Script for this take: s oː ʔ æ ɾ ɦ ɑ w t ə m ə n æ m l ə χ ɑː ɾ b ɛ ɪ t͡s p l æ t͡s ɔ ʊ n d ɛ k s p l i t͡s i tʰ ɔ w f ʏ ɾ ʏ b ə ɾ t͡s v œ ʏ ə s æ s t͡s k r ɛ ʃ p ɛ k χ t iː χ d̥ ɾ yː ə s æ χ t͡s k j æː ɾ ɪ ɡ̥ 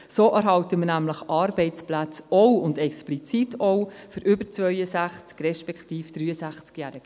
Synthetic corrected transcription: s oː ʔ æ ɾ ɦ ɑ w t ə m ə n æ m l ə χ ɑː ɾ b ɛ ɪ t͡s p l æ t͡s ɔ ʊ n d ɛ k s p l i t͡s i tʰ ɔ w f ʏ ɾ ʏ b ə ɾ t͡s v œ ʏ ə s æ χ t͡s k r ɛ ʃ p ɛ k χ t iː f d̥ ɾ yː ə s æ χ t͡s k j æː ɾ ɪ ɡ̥

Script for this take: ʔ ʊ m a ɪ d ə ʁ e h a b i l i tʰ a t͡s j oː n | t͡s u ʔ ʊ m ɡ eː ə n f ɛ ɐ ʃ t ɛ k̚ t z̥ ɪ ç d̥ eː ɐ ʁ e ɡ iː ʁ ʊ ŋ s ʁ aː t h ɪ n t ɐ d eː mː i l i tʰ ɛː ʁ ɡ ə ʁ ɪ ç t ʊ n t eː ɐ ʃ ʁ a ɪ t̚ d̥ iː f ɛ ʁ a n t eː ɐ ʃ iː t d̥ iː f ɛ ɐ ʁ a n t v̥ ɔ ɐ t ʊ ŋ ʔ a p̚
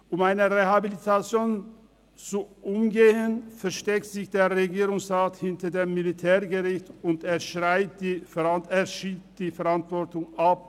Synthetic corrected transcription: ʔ ʊ m a ɪ n ə ʁ e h a b i l i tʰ a t͡s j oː n | t͡s u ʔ ʊ m ɡ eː ə n f ɛ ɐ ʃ t ɛ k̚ t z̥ ɪ ç d̥ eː ɐ ʁ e ɡ iː ʁ ʊ ŋ s ʁ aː t h ɪ n t ɐ d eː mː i l i tʰ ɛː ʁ ɡ ə ʁ ɪ ç t ʊ n t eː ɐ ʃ ʁ a ɪ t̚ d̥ iː f ɛ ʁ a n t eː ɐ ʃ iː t d̥ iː f ɛ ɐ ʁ a n t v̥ ɔ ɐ t ʊ ŋ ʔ a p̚

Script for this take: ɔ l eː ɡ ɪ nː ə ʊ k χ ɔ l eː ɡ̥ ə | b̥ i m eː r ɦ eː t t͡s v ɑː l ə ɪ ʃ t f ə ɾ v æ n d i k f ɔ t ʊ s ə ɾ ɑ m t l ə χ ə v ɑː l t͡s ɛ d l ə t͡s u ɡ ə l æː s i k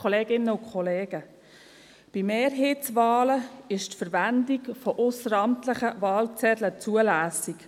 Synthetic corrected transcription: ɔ l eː ɡ ɪ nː ə ʊ k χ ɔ l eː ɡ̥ ə | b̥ i m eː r ɦ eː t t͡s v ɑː l ə ɪ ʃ t f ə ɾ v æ n d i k f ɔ ʔ ʊ s ə ɾ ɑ m t l ə χ ə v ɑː l t͡s ɛ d l ə t͡s u ə l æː s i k

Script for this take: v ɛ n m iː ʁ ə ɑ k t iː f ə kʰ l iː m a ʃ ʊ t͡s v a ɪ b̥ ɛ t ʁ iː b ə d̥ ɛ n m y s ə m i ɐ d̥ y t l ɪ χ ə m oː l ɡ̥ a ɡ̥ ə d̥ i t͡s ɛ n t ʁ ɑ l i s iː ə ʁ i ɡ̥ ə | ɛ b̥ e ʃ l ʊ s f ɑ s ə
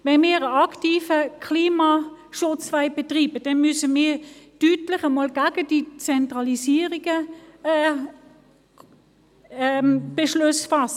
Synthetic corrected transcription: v ɛ n m iː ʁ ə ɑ k t iː f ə kʰ l iː m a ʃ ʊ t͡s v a ɪ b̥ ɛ t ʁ iː b ə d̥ ɛ n m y s ə m iː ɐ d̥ y t l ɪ χ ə m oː l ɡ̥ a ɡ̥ ə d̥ i t͡s ɛ n t ʁ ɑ l i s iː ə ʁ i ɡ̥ ə | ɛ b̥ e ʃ l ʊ s f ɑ s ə

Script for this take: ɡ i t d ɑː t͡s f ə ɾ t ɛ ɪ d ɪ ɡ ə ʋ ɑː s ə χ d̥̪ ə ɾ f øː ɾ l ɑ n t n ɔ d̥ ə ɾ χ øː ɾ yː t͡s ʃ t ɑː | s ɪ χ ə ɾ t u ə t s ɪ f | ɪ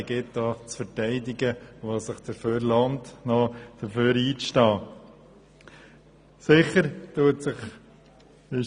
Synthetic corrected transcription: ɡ ɪ t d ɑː t͡s f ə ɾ t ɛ ɪ d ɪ ɡ ə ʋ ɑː s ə χ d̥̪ ə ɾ f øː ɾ l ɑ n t n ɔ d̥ ə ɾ f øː ɾ iː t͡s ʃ t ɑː | s ɪ χ ə ɾ t u ə t s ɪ χ | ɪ

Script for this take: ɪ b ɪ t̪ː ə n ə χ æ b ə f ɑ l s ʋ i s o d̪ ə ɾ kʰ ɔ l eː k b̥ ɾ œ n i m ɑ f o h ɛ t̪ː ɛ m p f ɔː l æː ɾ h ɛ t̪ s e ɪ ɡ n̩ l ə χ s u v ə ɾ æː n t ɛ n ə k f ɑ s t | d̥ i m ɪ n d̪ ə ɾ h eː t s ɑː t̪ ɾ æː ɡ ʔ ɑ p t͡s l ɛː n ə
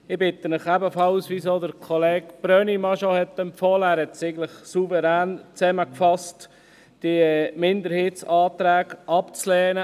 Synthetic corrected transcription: ɪ b ɪ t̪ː ə n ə χ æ b ə f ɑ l s ʋ i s o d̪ ə ɾ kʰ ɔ l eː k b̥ ɾ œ n i m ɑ ʃ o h ɛ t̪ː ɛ m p f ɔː l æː ɾ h ɛ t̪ s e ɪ ɡ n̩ l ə χ s u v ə ɾ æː n t͡s ɛ m ə k f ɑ s t | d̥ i m ɪ n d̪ ə ɾ h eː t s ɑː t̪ ɾ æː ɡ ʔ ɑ p t͡s l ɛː n ə

